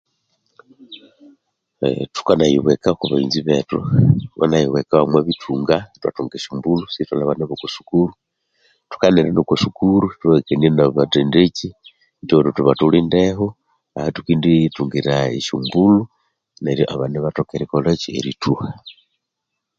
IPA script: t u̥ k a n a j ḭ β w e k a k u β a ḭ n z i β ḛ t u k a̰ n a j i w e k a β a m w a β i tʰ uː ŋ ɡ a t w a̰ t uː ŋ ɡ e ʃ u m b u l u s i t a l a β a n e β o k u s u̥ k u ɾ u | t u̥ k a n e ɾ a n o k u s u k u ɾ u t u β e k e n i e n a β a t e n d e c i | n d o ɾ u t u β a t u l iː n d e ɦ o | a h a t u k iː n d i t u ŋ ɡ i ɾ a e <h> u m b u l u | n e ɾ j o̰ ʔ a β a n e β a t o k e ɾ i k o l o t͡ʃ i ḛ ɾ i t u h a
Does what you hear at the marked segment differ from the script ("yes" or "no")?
yes